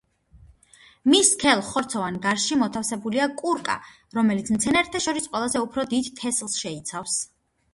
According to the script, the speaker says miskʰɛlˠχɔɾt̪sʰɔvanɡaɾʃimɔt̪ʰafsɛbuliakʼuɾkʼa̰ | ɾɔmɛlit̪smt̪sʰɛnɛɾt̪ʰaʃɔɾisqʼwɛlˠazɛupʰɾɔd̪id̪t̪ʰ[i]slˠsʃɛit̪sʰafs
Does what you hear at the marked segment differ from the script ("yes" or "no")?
yes